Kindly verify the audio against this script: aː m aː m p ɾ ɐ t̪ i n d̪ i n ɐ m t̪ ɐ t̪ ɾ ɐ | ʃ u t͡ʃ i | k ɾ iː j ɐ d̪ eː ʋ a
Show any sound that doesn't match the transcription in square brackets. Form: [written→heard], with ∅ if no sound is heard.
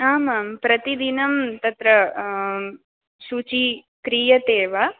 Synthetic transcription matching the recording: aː m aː m p ɾ ɐ t̪ i [n→∅] d̪ i n ɐ m t̪ ɐ t̪ ɾ ɐ | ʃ u t͡ʃ i | k ɾ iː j ɐ [d̪→t̪] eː ʋ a